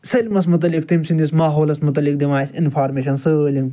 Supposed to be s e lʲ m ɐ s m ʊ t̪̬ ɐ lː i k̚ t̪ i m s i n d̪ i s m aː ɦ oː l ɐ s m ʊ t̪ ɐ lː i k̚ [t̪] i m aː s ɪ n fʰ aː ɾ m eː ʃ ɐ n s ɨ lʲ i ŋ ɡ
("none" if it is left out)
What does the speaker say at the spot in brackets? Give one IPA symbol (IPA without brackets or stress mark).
d̪